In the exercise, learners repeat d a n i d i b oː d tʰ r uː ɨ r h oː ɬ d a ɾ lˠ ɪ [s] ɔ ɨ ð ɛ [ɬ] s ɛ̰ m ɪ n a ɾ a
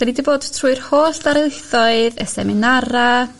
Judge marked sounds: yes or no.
no, no

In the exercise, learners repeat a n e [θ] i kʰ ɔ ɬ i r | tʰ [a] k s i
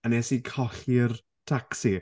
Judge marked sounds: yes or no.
no, yes

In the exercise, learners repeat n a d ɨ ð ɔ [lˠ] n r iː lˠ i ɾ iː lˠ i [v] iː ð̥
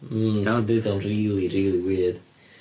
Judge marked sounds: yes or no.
no, no

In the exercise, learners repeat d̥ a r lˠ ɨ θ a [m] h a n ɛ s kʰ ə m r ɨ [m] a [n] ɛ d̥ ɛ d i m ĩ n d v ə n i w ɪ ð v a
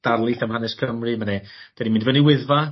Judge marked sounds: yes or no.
yes, yes, yes

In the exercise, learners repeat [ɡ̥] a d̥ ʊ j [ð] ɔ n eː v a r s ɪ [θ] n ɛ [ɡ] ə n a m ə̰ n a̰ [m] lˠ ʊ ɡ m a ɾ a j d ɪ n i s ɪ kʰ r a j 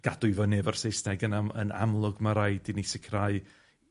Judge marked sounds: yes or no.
yes, no, no, yes, yes

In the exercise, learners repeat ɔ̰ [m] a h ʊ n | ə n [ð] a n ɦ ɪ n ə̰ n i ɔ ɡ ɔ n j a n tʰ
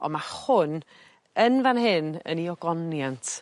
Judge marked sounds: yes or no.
yes, no

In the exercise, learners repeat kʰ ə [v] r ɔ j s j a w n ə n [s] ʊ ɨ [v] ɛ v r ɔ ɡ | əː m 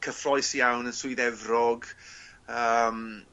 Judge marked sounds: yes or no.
no, yes, no

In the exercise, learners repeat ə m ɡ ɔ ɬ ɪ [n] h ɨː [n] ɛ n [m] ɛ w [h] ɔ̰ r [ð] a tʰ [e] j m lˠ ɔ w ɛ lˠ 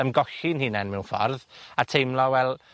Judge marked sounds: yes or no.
yes, yes, yes, no, yes, yes

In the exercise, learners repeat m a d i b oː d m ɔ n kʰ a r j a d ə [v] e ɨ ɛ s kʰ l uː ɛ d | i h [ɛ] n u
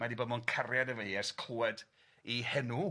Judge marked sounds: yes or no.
yes, yes

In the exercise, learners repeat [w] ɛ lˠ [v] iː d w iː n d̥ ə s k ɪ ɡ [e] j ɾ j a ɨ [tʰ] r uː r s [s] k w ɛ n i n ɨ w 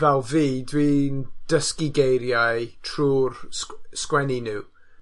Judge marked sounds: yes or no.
no, yes, yes, yes, yes

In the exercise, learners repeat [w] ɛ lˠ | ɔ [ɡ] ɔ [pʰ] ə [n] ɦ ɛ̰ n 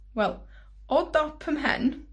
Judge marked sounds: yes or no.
yes, no, yes, no

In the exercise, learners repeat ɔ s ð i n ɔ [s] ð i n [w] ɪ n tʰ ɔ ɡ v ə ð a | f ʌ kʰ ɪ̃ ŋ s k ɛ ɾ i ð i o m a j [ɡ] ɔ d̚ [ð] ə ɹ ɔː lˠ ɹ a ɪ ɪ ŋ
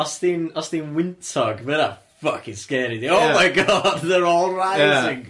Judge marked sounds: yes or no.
yes, yes, yes, yes

